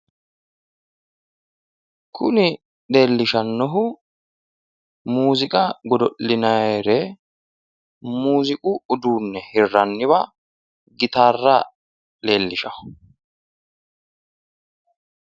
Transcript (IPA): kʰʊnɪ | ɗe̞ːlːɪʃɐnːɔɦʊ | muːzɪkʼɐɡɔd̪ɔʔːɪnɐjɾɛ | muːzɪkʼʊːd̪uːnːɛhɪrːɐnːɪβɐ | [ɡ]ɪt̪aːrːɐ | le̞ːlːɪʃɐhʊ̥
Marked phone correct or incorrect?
correct